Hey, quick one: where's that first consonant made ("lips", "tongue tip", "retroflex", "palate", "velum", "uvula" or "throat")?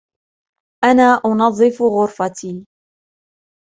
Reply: throat